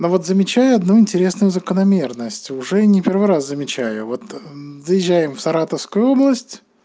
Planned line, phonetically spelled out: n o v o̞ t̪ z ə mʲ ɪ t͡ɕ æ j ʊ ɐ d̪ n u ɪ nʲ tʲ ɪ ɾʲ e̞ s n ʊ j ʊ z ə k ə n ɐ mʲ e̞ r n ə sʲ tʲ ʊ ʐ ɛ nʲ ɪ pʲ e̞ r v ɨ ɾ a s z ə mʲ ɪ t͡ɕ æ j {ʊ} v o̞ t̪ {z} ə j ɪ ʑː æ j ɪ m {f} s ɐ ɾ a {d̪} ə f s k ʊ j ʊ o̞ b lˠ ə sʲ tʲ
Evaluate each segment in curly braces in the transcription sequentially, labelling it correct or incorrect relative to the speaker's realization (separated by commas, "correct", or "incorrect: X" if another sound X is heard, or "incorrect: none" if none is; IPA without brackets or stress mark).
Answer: correct, correct, correct, incorrect: t̪